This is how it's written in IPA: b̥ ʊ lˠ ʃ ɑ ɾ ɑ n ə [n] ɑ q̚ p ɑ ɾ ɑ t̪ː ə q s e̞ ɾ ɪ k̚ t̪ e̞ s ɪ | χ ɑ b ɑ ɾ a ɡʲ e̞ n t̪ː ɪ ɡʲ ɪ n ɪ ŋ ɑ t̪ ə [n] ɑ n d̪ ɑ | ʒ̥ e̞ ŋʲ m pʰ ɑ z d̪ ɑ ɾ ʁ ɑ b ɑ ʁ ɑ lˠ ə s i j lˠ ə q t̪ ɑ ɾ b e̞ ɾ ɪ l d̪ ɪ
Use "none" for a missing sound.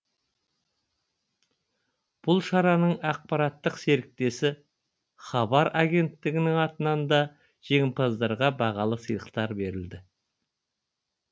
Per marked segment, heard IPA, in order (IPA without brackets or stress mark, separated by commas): ɴ, n